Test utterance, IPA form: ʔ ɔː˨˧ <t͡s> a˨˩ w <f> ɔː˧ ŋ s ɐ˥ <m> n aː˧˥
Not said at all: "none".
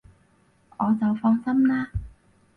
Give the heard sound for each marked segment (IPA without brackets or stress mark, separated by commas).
t͡s, f, m